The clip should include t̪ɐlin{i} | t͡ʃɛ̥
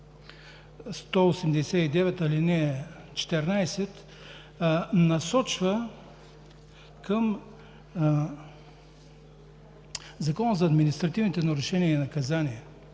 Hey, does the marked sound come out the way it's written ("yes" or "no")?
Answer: no